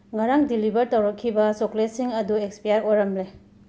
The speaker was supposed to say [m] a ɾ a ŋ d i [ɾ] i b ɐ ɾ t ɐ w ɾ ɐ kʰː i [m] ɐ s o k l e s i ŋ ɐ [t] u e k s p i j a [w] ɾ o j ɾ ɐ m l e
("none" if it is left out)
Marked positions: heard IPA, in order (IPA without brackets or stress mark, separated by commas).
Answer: ŋ, l, b, d, none